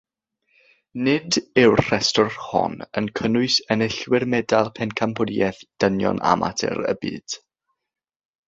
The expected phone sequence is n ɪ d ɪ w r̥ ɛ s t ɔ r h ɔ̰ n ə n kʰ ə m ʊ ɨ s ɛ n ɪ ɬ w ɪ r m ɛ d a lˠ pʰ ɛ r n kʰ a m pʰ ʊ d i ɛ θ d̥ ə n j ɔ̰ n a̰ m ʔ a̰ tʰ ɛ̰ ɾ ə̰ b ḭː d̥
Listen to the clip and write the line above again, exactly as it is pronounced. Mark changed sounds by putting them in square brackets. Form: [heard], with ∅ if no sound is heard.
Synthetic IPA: n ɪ d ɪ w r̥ ɛ s t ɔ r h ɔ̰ n ə n kʰ ə [n] ʊ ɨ s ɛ n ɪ ɬ w ɪ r m ɛ d a lˠ pʰ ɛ [∅] n kʰ a m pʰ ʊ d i ɛ θ d̥ ə n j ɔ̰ n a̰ m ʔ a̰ tʰ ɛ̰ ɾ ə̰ b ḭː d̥